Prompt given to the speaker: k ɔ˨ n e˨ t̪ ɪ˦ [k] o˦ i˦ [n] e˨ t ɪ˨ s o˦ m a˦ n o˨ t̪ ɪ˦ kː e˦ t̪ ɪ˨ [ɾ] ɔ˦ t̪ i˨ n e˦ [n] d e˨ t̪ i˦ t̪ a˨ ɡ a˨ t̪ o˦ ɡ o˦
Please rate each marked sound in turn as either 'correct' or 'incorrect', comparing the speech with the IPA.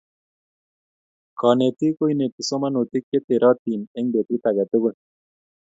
correct, correct, correct, incorrect: ŋ

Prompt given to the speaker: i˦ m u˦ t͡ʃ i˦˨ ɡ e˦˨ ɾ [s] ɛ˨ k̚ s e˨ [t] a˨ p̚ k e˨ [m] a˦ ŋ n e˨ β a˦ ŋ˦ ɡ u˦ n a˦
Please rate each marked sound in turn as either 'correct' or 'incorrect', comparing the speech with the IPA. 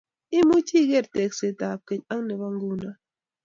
incorrect: t, correct, incorrect: ɲ

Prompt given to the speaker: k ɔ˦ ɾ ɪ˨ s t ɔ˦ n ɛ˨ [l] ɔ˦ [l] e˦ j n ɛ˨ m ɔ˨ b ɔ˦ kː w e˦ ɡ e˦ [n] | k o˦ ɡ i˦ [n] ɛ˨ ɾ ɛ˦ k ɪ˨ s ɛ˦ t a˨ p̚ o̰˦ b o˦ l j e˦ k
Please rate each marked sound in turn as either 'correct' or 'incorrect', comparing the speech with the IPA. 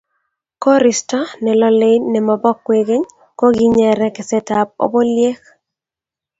correct, correct, incorrect: ɲ, incorrect: ɲ

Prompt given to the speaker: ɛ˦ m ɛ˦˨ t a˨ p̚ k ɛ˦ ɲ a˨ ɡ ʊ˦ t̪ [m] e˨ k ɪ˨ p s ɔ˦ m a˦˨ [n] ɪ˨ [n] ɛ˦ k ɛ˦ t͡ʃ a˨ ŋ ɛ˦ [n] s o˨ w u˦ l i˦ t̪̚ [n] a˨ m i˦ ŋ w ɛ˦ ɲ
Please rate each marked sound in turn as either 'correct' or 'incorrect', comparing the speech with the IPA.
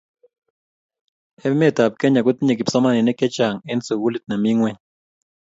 incorrect: ɲ, correct, correct, correct, correct

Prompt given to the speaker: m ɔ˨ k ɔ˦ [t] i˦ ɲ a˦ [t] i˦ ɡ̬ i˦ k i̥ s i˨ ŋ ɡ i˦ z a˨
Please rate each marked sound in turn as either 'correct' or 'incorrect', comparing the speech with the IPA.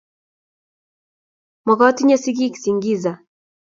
correct, incorrect: s

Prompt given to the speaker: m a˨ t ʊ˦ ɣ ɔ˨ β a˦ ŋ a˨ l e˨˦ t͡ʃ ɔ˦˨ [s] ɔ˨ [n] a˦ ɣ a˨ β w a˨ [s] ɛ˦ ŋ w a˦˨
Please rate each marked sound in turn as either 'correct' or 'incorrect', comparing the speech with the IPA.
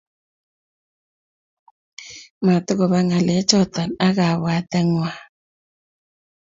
incorrect: t, correct, incorrect: t

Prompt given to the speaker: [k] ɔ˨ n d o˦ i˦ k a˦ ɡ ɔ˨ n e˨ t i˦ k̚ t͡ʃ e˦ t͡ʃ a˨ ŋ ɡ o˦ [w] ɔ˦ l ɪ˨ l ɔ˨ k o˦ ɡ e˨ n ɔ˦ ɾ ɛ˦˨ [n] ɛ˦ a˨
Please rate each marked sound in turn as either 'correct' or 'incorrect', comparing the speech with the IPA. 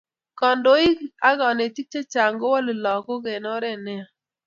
correct, correct, correct

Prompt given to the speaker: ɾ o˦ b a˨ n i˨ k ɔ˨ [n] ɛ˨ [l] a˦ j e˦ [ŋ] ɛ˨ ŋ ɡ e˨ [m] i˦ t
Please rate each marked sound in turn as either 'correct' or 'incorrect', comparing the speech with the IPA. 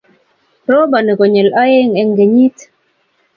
incorrect: ɲ, correct, correct, incorrect: ɲ

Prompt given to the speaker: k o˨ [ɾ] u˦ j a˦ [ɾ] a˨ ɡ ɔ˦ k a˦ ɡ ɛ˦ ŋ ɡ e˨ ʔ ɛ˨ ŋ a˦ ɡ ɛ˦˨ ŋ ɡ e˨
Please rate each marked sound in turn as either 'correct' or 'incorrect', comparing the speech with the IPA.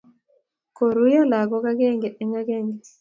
correct, incorrect: l

